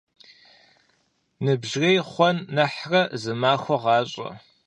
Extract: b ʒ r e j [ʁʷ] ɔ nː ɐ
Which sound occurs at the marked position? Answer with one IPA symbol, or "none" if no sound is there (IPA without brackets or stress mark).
χʷ